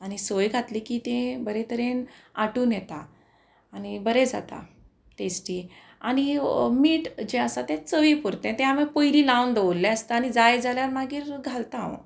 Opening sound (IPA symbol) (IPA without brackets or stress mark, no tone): a